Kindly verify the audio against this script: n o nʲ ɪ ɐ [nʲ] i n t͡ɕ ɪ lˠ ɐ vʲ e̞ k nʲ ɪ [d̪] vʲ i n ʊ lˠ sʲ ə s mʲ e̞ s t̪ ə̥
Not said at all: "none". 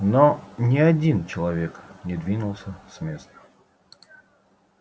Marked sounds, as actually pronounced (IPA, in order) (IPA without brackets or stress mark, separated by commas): dʲ, d̪